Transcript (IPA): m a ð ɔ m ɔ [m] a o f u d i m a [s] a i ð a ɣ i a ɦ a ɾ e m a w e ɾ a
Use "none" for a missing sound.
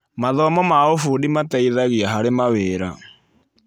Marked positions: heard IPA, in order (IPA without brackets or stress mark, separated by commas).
m, t